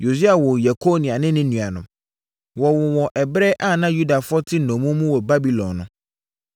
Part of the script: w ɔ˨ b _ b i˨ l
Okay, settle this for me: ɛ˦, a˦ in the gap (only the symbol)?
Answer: a˦